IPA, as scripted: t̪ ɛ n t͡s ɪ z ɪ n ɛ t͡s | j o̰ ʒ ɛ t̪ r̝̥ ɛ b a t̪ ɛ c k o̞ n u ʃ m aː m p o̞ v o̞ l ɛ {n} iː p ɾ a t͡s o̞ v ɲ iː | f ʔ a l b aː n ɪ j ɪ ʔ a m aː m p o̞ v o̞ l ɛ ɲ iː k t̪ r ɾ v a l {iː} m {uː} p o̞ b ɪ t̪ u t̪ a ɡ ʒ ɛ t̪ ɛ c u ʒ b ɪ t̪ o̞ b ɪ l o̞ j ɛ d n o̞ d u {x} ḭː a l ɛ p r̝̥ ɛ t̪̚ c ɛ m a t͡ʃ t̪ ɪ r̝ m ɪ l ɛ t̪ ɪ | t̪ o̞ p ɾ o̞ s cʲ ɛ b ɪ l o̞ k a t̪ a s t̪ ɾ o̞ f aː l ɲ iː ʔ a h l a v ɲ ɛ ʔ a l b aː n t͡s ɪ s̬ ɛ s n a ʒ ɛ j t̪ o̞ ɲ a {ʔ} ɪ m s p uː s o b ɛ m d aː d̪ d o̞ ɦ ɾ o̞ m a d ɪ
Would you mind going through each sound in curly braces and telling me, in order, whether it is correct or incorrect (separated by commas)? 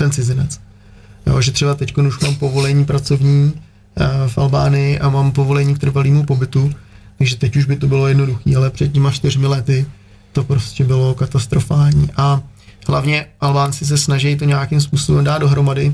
incorrect, correct, incorrect, correct, incorrect